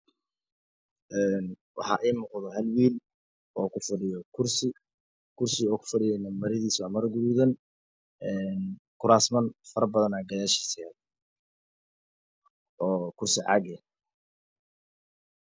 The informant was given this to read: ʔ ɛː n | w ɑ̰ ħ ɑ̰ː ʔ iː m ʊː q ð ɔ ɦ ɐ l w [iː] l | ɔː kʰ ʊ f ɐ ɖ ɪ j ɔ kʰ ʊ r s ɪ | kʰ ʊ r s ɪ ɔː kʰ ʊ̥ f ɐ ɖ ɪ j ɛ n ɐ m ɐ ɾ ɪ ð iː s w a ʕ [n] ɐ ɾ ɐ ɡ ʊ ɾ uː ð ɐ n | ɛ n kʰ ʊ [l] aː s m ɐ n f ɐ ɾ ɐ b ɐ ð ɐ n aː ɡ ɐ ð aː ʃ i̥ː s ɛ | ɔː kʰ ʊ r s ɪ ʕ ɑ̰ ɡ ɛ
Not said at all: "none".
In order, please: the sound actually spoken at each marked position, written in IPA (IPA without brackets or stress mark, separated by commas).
iː, m, ɾ